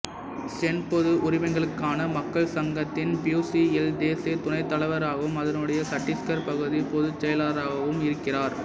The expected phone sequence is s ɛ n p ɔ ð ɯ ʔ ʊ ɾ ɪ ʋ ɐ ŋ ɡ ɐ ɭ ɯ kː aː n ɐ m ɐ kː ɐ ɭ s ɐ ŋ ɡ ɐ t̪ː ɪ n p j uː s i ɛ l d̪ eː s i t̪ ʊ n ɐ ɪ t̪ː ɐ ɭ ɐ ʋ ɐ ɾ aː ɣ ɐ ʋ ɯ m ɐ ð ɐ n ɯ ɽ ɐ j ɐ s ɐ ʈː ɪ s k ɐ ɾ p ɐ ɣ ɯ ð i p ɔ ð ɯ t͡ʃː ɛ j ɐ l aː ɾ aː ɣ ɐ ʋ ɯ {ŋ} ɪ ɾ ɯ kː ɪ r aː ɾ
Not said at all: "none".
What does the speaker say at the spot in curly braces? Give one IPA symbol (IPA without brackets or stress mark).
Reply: m